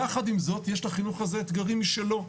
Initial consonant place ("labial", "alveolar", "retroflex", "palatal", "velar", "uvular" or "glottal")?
uvular